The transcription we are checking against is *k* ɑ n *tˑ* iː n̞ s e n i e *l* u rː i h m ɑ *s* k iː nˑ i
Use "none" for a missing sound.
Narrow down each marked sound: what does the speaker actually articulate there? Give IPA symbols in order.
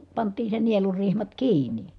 p, tˑ, l, t

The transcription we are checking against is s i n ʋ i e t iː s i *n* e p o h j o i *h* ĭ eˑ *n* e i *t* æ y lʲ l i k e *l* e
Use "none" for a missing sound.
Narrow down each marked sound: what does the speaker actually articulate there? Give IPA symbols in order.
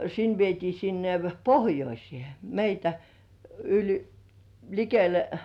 nː, s, m, t, l

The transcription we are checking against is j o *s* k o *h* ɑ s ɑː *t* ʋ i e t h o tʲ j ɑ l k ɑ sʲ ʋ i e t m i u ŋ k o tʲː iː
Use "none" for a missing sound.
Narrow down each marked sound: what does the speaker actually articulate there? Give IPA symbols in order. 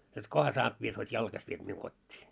t, h, t

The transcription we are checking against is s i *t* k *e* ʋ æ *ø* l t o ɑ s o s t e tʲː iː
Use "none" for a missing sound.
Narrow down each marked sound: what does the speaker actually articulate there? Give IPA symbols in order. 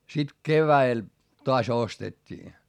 t, e, e

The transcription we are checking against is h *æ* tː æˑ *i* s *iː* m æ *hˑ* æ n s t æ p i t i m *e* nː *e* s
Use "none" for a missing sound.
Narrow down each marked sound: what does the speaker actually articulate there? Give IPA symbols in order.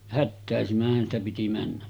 æ, e, i, hˑ, æ, æ

